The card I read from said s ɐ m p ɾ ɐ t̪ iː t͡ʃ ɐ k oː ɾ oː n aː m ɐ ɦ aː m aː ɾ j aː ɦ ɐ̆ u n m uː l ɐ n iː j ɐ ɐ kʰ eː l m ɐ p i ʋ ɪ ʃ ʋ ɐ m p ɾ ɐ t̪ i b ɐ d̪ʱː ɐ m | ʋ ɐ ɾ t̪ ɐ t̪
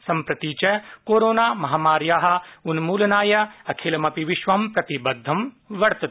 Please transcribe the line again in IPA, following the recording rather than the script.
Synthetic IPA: s ɐ m p ɾ ɐ t̪ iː t͡ʃ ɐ k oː ɾ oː n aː m ɐ ɦ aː m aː ɾ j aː ɦ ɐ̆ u n m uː l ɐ n aː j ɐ ɐ kʰ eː l m ɐ p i ʋ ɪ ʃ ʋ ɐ m p ɾ ɐ t̪ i b ɐ d̪ʱː ɐ m | ʋ ɐ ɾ t̪ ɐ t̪